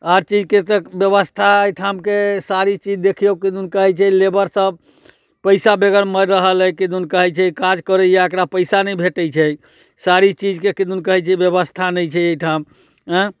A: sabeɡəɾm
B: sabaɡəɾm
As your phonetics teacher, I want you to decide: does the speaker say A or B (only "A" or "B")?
A